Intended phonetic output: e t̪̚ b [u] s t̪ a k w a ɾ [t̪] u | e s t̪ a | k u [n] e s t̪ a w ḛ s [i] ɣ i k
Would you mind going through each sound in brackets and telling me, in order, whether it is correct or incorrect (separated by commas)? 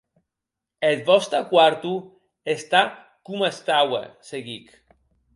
incorrect, correct, incorrect, incorrect